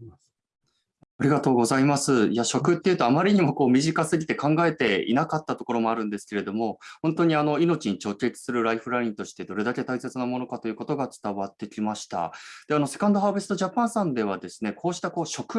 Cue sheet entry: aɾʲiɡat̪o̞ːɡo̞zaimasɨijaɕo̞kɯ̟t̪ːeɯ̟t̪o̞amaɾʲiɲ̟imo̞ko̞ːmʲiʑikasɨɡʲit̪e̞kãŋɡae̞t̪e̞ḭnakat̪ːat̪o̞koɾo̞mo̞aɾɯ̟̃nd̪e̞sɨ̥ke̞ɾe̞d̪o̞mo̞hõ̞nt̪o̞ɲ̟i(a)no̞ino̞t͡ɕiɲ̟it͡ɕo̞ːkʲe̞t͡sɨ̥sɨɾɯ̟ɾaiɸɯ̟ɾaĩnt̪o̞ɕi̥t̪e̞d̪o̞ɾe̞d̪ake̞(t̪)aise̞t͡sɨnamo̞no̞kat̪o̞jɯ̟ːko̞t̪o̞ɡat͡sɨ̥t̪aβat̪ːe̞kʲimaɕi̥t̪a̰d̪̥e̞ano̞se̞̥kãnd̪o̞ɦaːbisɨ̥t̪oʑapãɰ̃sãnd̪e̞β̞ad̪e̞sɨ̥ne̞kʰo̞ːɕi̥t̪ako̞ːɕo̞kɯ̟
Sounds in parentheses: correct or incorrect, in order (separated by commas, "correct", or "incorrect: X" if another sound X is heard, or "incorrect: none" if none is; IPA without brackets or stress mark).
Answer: correct, correct